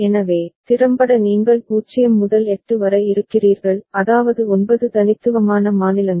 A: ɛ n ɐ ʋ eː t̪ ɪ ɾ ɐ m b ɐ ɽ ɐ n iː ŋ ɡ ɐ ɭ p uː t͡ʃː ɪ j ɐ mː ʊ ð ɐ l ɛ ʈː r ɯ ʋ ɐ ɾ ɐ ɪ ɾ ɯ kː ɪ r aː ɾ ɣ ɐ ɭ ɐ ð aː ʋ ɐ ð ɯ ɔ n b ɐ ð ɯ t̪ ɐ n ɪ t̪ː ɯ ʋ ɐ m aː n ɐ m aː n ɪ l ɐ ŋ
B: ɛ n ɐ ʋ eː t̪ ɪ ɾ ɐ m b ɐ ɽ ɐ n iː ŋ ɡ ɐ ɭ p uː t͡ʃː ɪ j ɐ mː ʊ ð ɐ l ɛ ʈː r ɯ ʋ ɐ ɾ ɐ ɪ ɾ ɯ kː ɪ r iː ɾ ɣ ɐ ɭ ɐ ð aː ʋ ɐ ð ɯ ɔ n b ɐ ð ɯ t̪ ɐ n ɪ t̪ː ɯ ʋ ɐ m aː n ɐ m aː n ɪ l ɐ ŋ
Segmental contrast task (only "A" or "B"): B